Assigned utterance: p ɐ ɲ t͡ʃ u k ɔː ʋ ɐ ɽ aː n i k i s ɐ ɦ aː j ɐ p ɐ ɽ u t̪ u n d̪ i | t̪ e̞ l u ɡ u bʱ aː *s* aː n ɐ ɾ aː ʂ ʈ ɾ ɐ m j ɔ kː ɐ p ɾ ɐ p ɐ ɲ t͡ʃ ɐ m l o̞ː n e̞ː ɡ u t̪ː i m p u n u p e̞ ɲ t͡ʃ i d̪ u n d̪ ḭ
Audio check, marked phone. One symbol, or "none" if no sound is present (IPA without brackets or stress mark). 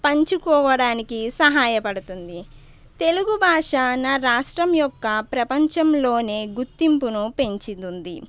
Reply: ʂ